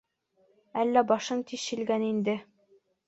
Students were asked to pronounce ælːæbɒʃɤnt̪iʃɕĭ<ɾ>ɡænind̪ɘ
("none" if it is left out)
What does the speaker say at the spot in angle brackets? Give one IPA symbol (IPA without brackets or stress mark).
l